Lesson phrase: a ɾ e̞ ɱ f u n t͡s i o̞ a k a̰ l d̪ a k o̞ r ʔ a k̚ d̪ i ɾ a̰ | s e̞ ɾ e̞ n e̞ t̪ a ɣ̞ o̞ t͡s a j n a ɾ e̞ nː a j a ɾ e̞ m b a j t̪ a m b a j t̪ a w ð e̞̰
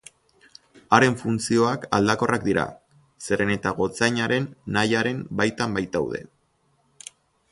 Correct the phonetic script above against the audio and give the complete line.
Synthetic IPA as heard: a ɾ e̞ ɱ f u n t͡s i o̞ a k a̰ l d̪ a k o̞ r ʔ a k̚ d̪ i ɾ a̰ | s e̞ ɾ e̞ n e̞ t̪ a ɣ̞ o̞ t͡s a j ɲ a ɾ e̞ nː a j a ɾ e̞ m b a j t̪ a m b a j t̪ a w ð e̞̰